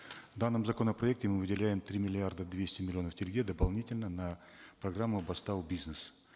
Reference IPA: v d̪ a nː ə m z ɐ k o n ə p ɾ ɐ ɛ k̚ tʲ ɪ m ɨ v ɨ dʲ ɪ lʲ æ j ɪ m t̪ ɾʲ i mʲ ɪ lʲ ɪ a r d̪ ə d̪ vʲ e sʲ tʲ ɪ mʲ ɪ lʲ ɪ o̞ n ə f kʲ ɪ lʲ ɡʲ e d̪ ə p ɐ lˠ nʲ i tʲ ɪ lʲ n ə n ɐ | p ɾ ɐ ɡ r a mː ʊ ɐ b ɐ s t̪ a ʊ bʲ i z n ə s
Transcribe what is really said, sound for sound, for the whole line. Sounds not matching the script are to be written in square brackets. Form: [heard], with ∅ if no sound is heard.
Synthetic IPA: v d̪ a nː ə m z ɐ k o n ə p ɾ ɐ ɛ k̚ tʲ ɪ m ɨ v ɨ dʲ ɪ lʲ æ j ɪ m t̪ ɾʲ i mʲ ɪ lʲ ɪ a r d̪ ə d̪ vʲ e sʲ tʲ ɪ mʲ ɪ lʲ ɪ o̞ n ə f [tʲ] ɪ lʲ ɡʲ e d̪ ə p ɐ lˠ nʲ i tʲ ɪ lʲ n ə n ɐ | p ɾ ɐ ɡ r a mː ʊ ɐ b ɐ s t̪ a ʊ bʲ i z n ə s